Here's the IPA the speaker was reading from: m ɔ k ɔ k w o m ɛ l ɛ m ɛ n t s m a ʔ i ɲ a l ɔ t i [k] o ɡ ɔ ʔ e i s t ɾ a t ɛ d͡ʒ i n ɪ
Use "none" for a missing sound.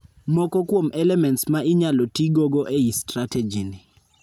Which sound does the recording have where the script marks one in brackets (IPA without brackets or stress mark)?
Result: ɡ